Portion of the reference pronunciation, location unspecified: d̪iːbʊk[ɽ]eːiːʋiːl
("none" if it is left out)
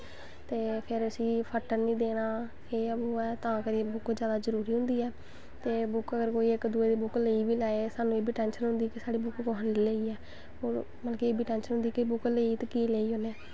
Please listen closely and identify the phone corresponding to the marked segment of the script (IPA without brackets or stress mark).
l